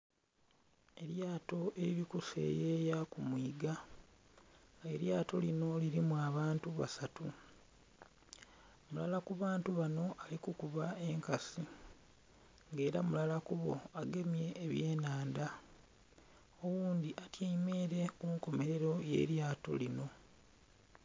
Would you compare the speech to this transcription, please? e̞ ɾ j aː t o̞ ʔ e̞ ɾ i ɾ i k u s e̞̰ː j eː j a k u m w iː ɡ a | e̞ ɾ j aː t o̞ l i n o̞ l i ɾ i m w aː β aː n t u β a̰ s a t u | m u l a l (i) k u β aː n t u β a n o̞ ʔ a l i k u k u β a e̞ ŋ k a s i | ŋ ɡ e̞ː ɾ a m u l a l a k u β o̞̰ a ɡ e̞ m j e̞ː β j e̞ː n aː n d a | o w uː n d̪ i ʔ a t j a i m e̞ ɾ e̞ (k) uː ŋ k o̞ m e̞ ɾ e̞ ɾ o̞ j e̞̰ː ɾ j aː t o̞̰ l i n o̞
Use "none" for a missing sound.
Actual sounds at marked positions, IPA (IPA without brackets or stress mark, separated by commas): a, k